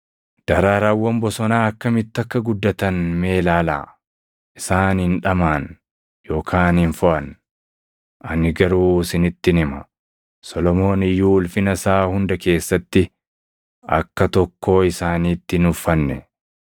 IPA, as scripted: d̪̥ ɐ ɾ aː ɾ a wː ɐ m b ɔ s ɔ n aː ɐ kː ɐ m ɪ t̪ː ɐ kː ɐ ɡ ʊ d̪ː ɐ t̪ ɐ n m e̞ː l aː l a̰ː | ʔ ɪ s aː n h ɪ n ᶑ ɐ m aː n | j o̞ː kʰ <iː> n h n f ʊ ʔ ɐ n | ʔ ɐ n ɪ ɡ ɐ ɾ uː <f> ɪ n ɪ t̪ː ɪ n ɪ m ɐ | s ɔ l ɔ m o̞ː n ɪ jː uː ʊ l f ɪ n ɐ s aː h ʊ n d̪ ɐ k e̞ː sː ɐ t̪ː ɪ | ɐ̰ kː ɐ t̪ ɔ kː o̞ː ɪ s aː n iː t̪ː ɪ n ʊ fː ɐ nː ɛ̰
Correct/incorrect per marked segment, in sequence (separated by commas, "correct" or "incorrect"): incorrect, incorrect